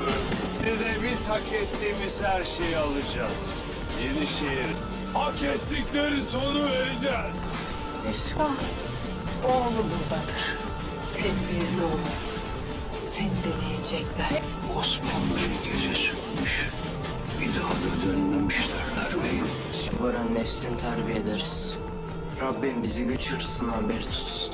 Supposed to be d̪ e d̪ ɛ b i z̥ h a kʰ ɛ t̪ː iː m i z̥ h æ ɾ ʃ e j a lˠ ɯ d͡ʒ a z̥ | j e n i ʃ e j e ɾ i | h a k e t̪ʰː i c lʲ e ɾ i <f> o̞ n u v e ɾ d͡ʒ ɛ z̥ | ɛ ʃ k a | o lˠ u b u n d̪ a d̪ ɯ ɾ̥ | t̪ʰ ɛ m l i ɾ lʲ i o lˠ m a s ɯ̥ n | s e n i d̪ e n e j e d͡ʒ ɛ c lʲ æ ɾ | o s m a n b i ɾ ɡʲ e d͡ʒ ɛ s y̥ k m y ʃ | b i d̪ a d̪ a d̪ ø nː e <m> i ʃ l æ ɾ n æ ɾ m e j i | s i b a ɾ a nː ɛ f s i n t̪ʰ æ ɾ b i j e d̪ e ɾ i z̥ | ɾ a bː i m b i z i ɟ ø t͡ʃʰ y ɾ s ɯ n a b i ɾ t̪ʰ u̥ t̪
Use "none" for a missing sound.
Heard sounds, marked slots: s, m

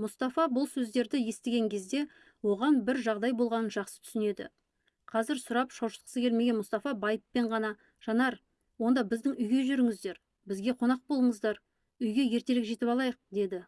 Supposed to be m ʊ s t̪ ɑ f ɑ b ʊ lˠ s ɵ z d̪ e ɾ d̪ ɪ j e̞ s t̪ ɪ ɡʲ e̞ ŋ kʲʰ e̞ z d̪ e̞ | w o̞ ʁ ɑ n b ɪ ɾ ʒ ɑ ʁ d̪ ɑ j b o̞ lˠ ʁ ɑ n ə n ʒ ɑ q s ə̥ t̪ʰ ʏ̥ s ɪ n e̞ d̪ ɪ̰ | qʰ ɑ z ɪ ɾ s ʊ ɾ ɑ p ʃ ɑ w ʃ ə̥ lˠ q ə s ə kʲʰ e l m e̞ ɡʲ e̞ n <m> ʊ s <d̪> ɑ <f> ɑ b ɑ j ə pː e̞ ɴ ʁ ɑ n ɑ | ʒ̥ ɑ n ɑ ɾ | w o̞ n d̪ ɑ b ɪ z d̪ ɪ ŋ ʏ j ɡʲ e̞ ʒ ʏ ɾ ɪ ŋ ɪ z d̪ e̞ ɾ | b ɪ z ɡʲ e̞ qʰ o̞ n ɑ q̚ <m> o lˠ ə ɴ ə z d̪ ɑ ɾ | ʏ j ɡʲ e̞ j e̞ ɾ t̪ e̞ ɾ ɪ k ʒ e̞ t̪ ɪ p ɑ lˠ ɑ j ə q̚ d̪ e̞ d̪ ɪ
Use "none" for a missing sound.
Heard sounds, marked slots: m, t̪, f, b

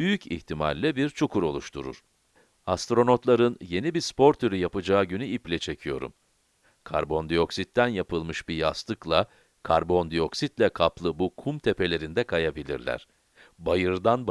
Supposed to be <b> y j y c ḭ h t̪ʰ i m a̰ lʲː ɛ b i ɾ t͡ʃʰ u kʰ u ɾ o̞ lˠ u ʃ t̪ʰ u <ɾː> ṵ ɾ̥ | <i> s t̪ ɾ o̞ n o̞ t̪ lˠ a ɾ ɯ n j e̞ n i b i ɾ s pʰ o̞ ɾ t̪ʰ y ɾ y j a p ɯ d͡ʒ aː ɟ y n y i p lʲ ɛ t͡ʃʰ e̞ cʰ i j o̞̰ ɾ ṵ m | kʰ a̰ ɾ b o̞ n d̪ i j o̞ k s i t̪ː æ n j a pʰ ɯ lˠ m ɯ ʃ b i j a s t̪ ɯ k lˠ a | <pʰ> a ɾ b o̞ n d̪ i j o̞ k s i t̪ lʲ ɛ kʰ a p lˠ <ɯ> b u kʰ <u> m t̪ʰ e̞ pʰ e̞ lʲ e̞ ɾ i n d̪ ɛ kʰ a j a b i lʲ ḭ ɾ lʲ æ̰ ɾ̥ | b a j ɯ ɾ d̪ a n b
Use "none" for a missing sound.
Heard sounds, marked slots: b, ɾ, a, kʰ, ɯ, u

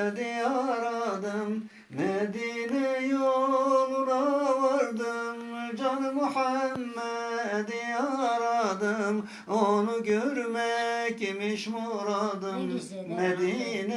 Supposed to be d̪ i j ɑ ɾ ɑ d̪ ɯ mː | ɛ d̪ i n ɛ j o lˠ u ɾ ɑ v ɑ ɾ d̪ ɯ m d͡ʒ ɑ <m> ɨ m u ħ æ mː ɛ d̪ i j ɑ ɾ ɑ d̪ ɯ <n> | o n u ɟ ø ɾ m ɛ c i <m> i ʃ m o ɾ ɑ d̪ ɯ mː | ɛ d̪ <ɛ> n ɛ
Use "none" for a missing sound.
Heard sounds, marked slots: n, m, m, i

